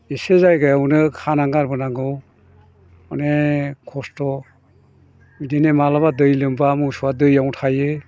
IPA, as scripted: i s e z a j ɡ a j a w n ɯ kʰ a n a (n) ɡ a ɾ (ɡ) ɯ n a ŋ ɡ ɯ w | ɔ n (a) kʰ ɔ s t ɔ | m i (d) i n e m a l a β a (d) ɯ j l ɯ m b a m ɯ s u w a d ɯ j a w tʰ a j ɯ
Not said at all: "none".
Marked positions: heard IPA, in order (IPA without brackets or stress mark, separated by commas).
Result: ŋ, b, e, d, d